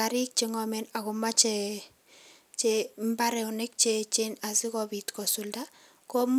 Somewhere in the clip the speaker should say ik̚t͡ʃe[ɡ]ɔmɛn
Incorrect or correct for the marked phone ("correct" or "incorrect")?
incorrect